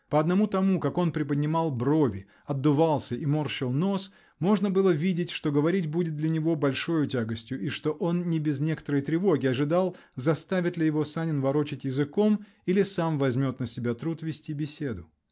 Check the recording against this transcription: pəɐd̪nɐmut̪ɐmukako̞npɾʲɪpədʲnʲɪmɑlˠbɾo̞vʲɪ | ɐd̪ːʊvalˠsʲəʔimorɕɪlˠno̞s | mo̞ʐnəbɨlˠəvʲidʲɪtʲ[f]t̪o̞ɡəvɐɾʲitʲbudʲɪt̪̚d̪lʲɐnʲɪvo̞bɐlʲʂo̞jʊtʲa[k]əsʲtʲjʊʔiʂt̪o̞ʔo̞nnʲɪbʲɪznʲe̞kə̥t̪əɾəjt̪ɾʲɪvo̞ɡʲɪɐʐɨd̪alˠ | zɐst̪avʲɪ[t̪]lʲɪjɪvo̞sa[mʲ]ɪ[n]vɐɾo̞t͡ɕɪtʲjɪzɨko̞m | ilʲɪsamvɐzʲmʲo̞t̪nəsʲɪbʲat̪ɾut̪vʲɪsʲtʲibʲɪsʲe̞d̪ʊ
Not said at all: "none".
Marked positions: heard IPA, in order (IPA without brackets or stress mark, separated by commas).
ʂ, ɡ, t̪, nʲ, n